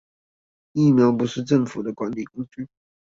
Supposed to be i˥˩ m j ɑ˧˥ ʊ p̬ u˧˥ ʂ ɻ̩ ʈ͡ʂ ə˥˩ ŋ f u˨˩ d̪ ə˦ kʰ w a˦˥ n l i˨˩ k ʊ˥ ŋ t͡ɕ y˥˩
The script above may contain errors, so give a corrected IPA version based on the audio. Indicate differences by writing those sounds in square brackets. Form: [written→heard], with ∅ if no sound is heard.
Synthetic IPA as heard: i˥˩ m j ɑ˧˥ ʊ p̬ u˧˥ ʂ ɻ̩ ʈ͡ʂ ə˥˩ ŋ f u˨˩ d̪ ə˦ [kʰ→k] w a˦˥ n l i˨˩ k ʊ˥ ŋ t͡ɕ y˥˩